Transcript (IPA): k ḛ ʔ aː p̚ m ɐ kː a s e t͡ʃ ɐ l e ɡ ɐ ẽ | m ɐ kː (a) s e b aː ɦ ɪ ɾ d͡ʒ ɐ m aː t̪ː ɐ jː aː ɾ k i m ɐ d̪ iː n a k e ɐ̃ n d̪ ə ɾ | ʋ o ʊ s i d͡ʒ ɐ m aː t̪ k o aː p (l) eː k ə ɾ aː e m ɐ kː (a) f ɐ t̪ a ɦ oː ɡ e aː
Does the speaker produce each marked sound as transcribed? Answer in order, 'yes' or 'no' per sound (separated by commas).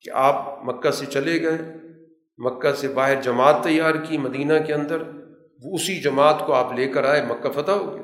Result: yes, yes, yes